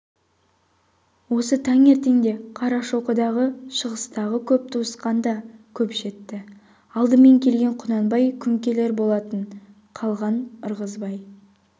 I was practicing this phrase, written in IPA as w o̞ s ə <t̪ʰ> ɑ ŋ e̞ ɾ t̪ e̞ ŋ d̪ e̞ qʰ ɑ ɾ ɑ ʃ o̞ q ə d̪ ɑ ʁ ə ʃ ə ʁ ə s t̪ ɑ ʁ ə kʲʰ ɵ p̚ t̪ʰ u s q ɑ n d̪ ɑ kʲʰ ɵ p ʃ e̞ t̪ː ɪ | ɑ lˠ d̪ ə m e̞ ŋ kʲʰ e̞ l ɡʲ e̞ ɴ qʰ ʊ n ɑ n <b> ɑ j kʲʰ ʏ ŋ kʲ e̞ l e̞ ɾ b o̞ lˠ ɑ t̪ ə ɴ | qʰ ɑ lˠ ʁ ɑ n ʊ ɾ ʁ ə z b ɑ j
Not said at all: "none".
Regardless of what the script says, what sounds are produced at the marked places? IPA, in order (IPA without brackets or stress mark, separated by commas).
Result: t̪ʰ, b